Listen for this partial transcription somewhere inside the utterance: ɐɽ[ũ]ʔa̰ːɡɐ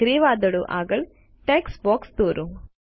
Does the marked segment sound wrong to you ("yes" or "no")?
yes